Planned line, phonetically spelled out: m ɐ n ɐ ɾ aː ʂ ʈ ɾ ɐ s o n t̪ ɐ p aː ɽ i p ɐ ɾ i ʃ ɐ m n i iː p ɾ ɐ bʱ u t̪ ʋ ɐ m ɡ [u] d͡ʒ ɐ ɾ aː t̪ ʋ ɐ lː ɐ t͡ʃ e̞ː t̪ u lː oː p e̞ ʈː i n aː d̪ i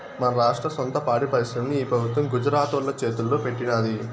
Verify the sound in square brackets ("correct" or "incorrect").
correct